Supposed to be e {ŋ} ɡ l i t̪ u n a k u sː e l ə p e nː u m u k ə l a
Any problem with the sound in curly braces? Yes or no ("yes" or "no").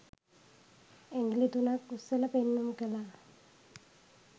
no